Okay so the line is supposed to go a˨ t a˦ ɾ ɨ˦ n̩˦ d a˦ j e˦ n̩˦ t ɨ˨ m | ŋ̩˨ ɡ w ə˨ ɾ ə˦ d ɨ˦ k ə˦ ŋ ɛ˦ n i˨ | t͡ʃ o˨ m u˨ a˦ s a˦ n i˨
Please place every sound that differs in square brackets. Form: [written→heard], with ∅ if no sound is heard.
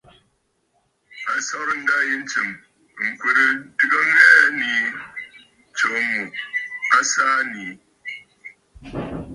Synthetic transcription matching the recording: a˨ [t→s] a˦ ɾ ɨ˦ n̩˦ d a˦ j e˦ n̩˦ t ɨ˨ m | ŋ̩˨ [ɡ→k] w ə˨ ɾ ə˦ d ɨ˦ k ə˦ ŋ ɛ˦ n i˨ | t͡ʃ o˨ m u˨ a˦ s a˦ n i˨